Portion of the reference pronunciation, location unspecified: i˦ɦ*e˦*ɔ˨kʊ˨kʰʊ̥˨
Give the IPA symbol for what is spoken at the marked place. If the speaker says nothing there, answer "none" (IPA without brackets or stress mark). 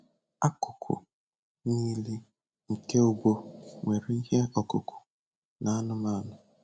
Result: e˦